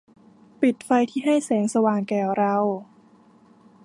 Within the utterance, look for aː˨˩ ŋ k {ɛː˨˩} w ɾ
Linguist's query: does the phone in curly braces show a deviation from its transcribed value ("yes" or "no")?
no